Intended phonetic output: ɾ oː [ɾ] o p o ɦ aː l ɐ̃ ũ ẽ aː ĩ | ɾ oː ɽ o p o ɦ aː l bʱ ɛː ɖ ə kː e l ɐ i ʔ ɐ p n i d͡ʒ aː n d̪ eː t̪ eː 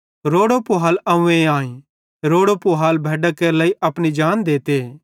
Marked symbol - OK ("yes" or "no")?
no